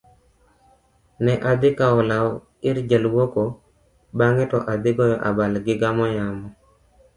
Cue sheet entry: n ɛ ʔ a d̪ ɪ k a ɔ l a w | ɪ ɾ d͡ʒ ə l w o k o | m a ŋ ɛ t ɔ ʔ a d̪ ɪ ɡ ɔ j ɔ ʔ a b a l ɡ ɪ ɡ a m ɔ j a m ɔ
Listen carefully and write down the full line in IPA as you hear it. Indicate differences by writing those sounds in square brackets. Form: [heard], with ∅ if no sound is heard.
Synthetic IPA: n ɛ ʔ a d̪ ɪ k a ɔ l a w | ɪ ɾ d͡ʒ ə l w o k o | [b] a ŋ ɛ t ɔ ʔ a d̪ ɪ ɡ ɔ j ɔ ʔ a b a l ɡ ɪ ɡ a m ɔ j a m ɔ